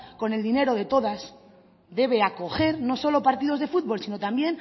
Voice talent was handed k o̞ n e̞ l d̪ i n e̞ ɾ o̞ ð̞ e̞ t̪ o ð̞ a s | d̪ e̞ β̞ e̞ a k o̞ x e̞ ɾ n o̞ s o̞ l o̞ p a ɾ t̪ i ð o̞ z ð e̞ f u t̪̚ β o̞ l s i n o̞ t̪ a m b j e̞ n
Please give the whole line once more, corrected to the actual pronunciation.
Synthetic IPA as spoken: k o̞ n e̞ l d̪ i n e̞ ɾ o̞ ð̞ e̞ t̪ o ð̞ a s | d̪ e̞ β̞ e̞ a k o̞ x e̞ ɾ n o̞ s o̞ l o̞ p a ɾ t̪ i ð o̞ z ð e̞ f u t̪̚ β o̞ l s i n o̞ t̪ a m b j e̞ n